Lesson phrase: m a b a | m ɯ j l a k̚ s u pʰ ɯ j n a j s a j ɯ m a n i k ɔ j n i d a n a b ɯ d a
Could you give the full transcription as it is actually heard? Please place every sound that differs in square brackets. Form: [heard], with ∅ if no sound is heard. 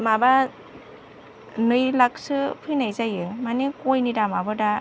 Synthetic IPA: m a b a | [n] ɯ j l a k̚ s [ɯ] pʰ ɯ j n a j [z] a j ɯ m a n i k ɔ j n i d a [m] a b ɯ d a